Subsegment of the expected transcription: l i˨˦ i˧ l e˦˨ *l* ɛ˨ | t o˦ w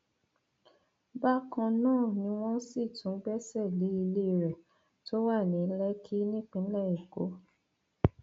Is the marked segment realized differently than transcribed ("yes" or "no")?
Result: yes